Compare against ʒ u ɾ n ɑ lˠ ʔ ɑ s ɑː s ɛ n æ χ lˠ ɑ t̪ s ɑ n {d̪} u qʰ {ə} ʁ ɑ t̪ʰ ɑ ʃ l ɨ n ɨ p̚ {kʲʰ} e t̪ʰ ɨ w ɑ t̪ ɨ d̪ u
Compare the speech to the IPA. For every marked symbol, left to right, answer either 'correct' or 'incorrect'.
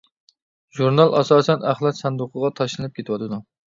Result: correct, correct, incorrect: kʲ

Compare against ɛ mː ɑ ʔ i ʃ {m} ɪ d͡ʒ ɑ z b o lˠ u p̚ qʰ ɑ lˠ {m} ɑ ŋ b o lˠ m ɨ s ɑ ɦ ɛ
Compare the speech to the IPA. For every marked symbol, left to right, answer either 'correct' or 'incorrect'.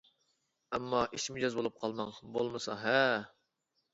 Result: correct, correct

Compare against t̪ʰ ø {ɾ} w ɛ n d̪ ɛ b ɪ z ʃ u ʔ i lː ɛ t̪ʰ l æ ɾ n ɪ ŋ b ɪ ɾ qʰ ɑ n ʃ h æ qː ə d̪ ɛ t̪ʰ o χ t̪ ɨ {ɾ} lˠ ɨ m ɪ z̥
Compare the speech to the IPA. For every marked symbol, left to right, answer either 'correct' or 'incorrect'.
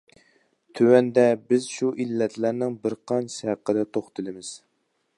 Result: incorrect: none, incorrect: none

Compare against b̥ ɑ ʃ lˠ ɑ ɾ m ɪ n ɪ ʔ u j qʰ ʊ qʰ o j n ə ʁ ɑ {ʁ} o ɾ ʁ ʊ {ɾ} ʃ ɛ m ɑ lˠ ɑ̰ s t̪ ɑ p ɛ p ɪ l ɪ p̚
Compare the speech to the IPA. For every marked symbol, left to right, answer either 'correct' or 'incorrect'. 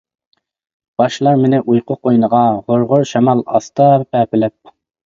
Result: correct, correct

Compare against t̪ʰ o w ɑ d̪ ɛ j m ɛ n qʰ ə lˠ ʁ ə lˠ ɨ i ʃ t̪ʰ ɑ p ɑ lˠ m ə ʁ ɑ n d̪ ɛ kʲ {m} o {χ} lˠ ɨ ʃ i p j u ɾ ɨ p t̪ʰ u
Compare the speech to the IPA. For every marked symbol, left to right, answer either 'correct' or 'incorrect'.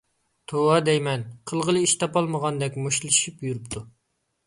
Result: correct, incorrect: ʃ

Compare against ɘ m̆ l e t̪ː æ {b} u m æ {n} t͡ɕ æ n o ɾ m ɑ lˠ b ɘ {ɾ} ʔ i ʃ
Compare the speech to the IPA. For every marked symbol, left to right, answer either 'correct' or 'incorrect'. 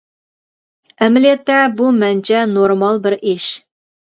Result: correct, correct, correct

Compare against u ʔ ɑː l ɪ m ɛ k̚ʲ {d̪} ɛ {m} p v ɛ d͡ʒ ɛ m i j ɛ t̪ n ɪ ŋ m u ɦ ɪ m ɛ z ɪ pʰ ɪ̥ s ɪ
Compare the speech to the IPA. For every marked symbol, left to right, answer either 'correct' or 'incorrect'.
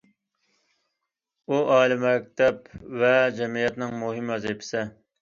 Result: incorrect: t̪, incorrect: none

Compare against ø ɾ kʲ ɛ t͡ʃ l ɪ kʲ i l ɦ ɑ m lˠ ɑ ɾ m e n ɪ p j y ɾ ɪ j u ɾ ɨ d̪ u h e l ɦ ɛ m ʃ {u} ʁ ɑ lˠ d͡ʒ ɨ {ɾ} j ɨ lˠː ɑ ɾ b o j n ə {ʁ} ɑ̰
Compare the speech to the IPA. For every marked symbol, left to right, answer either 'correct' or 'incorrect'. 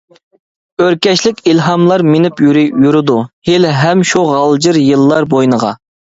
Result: correct, correct, correct

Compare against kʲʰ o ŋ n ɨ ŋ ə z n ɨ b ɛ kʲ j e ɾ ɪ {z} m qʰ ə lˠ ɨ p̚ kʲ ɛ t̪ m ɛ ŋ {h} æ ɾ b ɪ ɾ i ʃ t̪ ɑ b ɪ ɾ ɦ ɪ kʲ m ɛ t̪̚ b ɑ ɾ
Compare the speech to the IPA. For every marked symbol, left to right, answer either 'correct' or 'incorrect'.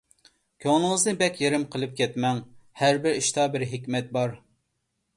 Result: incorrect: none, correct

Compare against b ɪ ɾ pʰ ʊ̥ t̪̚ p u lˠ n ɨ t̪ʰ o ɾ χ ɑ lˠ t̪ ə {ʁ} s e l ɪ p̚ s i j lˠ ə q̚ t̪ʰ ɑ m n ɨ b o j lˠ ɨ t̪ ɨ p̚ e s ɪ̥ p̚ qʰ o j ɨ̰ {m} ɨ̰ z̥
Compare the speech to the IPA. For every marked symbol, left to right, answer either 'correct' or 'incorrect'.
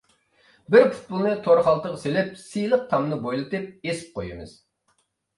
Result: correct, correct

